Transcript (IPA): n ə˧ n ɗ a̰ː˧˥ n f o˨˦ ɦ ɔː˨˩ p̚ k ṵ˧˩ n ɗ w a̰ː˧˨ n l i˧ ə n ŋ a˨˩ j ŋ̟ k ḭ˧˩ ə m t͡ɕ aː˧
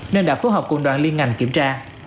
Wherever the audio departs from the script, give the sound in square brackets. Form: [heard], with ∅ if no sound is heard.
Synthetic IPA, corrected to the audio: n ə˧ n ɗ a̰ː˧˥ [∅] f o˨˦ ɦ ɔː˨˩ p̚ k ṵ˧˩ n ɗ w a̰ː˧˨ n l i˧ ə n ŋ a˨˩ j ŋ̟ k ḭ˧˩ ə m t͡ɕ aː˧

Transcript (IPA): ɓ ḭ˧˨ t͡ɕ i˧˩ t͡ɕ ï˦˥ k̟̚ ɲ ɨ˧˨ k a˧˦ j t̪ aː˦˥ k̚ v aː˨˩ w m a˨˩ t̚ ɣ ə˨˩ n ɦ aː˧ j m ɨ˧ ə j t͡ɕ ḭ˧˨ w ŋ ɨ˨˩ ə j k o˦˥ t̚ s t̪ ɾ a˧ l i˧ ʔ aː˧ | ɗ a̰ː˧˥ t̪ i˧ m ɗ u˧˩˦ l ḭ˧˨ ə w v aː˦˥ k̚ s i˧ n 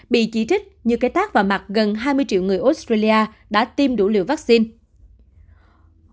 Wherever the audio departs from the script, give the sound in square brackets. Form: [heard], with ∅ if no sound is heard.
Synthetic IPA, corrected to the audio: ɓ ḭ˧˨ t͡ɕ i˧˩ t͡ɕ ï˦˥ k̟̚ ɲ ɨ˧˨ k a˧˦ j t̪ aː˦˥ k̚ v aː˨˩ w m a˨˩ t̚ ɣ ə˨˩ n ɦ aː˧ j m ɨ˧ ə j t͡ɕ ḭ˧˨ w ŋ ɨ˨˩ ə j [ʔ] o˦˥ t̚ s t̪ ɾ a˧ l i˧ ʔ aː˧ | ɗ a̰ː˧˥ t̪ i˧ m ɗ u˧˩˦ l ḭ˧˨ ə w v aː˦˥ k̚ s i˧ n

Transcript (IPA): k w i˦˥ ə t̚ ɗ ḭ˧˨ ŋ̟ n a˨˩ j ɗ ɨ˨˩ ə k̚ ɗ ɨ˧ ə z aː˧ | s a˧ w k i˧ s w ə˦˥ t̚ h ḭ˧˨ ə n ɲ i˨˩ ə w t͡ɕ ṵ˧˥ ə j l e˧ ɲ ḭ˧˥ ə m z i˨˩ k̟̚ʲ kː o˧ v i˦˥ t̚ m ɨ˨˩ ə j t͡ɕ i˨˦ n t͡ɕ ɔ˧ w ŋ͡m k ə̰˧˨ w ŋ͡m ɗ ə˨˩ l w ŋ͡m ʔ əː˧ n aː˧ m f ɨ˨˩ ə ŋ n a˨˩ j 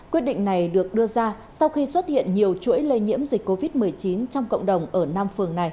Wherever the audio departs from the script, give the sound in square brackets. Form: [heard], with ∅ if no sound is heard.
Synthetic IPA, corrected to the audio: k w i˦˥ ə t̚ ɗ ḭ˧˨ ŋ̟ n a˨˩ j ɗ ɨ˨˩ ə k̚ ɗ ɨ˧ ə z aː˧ | s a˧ w [x] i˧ s w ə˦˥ t̚ h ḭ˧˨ ə n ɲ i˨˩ ə w t͡ɕ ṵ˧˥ ə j l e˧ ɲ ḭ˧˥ ə m z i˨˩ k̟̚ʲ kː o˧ v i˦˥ t̚ m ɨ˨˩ ə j t͡ɕ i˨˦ n t͡ɕ ɔ˧ w ŋ͡m k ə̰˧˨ w ŋ͡m ɗ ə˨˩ [∅] w ŋ͡m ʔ [əː˧˩] n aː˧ m f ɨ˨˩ ə ŋ n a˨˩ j

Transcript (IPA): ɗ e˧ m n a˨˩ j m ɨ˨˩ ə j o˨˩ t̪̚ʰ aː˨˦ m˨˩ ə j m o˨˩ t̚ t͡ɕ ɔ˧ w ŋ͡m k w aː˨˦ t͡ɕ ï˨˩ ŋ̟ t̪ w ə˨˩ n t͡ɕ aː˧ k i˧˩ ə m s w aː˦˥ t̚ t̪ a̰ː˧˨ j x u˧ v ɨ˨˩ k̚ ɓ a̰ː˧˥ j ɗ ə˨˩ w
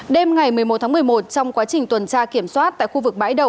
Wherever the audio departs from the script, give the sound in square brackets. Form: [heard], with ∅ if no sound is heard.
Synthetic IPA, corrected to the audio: ɗ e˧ m [ŋ] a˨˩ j m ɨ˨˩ ə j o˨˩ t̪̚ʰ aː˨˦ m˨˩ ə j m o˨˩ t̚ t͡ɕ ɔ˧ w ŋ͡m k w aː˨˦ t͡ɕ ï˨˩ ŋ̟ t̪ w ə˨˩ n t͡ɕ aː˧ k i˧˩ ə m s w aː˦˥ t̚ t̪ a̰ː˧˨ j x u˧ v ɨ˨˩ k̚ ɓ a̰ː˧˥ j ɗ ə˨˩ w

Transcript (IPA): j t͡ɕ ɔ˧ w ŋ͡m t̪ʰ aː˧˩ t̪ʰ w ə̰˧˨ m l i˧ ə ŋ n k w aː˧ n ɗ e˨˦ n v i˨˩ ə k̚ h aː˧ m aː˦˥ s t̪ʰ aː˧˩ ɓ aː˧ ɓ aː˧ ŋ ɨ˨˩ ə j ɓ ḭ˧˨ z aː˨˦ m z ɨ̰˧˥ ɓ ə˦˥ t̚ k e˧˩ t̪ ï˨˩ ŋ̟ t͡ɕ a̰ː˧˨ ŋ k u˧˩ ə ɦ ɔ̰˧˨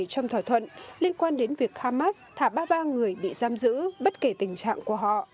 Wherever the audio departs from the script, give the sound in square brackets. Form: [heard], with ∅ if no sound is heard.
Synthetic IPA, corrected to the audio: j t͡ɕ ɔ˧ w ŋ͡m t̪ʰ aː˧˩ t̪ʰ w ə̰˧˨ [n] l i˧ ə [∅] n k w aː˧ n ɗ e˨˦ n v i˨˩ ə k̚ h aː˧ m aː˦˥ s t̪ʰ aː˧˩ ɓ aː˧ ɓ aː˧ ŋ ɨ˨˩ ə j ɓ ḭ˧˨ z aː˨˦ m z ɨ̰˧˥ ɓ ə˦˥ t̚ k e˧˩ t̪ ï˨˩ ŋ̟ t͡ɕ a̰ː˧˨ ŋ k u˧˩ ə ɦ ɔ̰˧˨

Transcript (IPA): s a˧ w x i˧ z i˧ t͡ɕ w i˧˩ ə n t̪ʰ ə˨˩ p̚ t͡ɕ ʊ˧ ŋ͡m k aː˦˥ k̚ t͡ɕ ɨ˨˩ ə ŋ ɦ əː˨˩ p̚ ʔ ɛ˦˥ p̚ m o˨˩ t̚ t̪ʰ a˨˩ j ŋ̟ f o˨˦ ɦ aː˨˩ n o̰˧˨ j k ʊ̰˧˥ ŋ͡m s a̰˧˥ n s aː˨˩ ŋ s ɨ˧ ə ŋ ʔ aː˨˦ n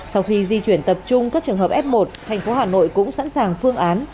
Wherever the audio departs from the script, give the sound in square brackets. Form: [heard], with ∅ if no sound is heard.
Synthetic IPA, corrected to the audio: s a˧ w x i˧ z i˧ t͡ɕ w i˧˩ ə n [t̪] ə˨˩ p̚ t͡ɕ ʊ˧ ŋ͡m k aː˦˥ k̚ t͡ɕ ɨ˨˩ ə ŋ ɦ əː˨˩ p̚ ʔ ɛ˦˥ p̚ m o˨˩ t̚ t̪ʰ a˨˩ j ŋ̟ f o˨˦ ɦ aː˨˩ n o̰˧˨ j k ʊ̰˧˥ ŋ͡m s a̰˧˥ n s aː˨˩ ŋ [f] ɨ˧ ə ŋ ʔ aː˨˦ n

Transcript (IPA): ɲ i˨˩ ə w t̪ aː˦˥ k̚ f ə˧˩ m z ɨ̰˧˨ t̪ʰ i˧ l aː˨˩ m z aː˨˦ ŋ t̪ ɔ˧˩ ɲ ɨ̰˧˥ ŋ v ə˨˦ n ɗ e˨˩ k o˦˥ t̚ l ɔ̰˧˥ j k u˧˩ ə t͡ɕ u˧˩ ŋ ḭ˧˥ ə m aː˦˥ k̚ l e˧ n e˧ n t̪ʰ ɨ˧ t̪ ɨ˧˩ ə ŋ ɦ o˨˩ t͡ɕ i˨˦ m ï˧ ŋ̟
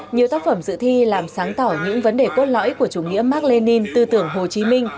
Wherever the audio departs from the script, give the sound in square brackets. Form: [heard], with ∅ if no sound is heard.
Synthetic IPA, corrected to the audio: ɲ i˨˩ ə w t̪ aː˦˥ k̚ f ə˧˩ m z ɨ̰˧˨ t̪ʰ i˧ l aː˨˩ m [s] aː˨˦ ŋ t̪ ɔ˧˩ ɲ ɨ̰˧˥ ŋ v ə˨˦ n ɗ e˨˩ k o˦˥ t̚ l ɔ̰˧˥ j k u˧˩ ə t͡ɕ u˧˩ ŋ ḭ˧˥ ə m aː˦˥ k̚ l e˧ n [i˧] n [t̪] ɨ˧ t̪ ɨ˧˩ ə ŋ ɦ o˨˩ t͡ɕ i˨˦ m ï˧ ŋ̟

